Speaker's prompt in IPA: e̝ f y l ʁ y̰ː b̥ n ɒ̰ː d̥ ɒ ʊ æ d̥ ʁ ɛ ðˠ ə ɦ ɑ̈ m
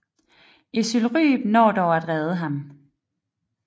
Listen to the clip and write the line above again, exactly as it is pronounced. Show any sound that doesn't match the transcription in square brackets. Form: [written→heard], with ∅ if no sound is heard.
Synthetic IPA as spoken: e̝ [f→s] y l ʁ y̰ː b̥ n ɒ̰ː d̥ ɒ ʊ æ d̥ ʁ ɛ ðˠ ə ɦ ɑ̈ m